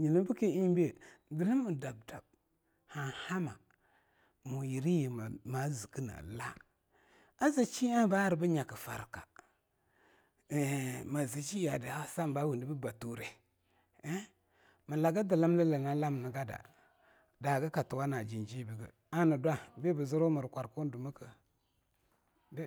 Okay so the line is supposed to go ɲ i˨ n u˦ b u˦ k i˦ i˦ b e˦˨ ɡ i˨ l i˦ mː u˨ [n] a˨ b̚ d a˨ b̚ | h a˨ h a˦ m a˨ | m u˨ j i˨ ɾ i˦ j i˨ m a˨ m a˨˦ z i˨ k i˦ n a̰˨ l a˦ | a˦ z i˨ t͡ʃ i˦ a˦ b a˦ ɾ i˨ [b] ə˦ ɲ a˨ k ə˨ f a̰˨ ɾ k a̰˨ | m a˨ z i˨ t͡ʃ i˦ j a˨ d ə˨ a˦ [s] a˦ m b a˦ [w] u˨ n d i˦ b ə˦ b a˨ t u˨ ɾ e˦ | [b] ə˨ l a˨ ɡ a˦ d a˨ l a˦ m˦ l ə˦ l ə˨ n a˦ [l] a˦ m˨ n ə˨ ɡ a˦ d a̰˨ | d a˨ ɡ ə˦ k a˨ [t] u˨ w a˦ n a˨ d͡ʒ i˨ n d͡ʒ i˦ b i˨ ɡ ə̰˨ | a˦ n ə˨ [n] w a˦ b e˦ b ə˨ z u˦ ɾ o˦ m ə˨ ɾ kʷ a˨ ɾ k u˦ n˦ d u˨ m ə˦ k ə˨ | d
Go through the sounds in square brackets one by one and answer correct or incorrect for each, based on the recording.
incorrect, correct, correct, correct, incorrect, correct, correct, incorrect

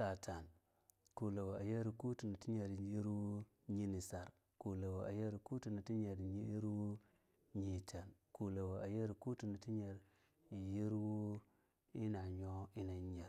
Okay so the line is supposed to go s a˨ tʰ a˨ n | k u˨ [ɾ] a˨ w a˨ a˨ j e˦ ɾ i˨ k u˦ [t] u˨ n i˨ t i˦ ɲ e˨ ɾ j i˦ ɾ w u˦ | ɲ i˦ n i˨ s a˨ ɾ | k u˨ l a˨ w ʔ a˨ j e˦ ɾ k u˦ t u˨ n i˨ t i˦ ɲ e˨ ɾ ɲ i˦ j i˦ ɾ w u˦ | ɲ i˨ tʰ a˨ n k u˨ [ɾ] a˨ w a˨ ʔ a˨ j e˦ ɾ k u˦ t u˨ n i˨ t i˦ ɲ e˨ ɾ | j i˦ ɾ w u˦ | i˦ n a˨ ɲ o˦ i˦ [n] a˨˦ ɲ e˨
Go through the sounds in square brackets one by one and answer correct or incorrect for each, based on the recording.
incorrect, correct, incorrect, correct

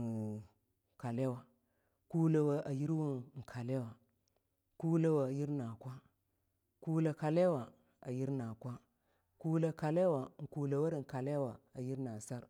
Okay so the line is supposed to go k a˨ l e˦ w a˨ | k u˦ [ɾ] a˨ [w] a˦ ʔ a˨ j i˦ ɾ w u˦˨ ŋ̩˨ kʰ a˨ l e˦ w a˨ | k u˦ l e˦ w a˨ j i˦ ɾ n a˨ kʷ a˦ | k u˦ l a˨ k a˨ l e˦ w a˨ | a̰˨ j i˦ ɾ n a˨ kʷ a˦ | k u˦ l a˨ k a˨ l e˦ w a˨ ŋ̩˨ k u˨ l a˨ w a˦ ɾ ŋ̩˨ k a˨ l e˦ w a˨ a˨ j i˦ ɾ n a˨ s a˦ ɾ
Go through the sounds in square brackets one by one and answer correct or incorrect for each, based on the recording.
incorrect, correct

